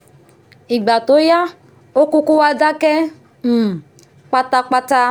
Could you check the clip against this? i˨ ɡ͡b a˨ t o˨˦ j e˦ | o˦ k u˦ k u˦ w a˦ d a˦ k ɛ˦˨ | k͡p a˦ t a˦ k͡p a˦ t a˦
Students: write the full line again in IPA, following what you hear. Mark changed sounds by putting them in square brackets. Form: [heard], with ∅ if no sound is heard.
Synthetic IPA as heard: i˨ ɡ͡b a˨ t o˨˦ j [a˦] | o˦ k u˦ k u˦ w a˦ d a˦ k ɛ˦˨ | k͡p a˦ t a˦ k͡p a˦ t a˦